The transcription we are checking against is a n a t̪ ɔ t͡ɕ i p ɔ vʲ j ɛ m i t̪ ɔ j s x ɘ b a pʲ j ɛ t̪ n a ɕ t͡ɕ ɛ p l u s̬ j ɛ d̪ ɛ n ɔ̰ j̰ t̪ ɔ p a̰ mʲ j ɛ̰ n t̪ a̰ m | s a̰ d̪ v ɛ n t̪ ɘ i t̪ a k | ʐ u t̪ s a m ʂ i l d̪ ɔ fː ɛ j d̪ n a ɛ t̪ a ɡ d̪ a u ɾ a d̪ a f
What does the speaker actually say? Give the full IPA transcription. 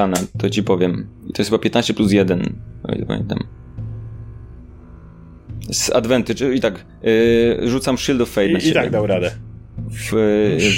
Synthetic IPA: a n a t̪ ɔ t͡ɕ i p ɔ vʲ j ɛ m i t̪ ɔ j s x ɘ b a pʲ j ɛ t̪ n a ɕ t͡ɕ ɛ p l u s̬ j ɛ d̪ ɛ n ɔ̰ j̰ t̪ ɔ p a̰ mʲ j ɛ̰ n t̪ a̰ m | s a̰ d̪ v ɛ n t̪ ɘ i t̪ a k | ʐ u t̪ s a m ʂ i l d̪ ɔ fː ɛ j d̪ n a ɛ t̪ a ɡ d̪ a w ɾ a d̪ ɛ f